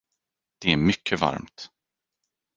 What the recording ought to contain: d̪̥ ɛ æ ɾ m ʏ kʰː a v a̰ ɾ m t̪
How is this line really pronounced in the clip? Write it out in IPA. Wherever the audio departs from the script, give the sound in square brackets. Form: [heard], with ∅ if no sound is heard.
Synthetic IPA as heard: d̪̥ ɛ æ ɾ m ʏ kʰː [ə] v a̰ ɾ m t̪